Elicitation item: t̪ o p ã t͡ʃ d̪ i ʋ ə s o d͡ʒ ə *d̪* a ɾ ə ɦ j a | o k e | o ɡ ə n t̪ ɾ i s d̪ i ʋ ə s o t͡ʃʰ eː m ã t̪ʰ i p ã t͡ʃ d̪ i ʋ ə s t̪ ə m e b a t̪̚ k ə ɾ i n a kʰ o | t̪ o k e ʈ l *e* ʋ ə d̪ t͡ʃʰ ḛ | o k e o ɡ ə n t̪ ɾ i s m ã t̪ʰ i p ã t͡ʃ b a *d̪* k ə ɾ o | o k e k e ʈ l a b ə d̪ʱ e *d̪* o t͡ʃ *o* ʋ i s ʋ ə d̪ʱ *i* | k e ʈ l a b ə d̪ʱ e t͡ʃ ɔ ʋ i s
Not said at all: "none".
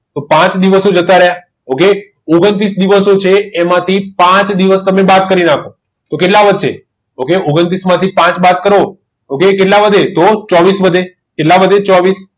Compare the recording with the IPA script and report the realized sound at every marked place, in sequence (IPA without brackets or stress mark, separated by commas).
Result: t̪, a, t̪, t̪, ɔ, e